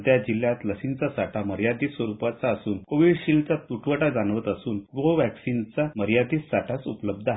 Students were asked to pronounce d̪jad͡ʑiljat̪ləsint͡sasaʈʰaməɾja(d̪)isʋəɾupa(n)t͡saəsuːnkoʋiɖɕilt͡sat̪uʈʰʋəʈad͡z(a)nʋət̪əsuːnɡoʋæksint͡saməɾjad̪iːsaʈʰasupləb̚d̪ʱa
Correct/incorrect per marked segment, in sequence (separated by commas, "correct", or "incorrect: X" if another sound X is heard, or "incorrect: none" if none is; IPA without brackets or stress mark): correct, incorrect: none, correct